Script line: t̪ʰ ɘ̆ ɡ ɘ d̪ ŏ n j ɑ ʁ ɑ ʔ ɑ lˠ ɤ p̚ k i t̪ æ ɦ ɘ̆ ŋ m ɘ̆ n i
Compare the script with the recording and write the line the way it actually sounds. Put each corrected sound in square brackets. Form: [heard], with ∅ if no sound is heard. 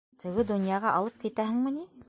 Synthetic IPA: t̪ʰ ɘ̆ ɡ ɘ d̪ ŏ n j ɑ ʁ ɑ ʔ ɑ lˠ ɤ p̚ k i t̪ æ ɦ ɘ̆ ŋ m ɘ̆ n i